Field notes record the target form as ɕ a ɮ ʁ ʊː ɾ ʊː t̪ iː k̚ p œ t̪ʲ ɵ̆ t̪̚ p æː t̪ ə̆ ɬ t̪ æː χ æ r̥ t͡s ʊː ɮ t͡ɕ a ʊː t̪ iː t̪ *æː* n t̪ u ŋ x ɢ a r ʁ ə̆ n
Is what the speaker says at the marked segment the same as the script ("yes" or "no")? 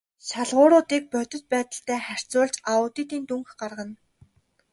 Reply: no